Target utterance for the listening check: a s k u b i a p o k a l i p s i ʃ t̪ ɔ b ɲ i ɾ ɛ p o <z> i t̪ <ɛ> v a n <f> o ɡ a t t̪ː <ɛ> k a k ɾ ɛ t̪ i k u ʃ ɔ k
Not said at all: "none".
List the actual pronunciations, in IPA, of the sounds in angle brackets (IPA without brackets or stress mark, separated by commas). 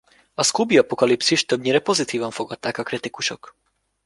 z, i, f, a